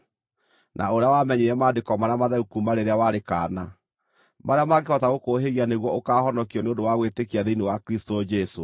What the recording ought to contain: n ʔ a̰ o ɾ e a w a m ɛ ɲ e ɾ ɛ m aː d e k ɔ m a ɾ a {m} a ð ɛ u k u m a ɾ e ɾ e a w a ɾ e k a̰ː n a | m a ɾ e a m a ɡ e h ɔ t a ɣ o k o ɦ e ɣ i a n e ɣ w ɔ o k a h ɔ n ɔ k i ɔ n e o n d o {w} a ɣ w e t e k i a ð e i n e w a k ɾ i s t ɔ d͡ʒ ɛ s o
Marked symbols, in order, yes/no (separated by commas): yes, yes